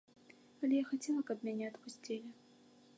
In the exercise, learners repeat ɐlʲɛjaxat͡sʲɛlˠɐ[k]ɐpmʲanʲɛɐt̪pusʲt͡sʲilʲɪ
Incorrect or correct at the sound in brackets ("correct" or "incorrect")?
correct